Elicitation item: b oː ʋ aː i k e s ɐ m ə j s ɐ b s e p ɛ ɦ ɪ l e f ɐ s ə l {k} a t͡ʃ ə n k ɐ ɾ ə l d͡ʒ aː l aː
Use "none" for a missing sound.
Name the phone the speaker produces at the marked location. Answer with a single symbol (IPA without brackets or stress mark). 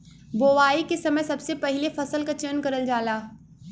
k